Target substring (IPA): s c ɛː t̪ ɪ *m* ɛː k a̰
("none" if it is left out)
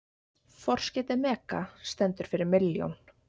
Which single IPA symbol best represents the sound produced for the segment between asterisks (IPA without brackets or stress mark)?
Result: m